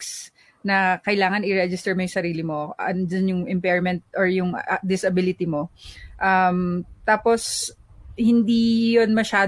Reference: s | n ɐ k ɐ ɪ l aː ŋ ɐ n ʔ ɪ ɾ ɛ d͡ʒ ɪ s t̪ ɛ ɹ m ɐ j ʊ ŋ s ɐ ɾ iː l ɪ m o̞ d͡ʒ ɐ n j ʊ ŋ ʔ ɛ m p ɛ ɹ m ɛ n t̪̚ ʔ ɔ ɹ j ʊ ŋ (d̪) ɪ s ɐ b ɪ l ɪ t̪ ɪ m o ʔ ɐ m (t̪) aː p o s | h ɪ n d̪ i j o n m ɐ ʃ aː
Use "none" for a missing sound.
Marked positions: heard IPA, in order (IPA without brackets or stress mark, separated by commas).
d̪, t̪